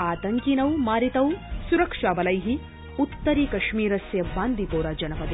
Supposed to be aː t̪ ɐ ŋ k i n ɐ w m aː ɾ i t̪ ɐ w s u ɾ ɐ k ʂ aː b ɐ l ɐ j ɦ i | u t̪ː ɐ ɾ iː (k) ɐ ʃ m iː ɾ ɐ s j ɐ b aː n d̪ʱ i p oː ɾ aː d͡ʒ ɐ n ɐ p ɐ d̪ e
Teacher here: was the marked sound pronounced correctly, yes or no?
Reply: yes